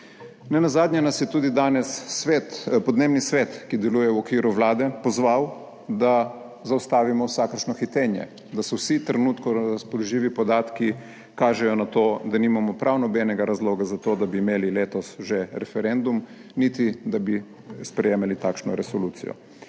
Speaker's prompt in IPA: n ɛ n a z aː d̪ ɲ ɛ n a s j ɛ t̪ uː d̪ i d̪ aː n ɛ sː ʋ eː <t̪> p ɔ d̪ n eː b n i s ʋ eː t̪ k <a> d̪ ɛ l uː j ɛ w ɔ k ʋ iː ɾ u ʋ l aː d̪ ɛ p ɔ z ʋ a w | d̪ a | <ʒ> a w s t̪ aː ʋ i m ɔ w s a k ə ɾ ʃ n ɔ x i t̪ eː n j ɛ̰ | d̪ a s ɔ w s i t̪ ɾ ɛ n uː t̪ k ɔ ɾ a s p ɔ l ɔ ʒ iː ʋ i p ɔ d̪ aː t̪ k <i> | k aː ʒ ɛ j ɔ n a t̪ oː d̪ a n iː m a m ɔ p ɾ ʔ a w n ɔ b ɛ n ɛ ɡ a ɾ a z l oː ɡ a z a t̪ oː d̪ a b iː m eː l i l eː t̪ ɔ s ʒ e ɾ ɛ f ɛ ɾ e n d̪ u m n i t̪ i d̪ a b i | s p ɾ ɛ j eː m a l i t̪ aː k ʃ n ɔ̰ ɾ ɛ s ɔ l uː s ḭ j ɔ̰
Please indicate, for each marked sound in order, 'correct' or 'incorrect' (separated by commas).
correct, incorrect, incorrect, correct